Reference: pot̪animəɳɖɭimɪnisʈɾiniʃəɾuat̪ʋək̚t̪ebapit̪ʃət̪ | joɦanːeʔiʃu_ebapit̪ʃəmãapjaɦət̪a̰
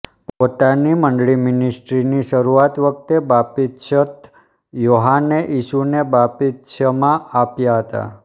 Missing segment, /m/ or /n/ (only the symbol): n